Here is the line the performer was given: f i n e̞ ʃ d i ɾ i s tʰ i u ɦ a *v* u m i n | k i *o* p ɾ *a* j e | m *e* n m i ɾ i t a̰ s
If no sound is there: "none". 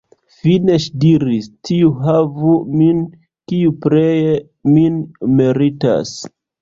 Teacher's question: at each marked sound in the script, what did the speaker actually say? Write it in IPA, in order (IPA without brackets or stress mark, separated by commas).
v, u, e, i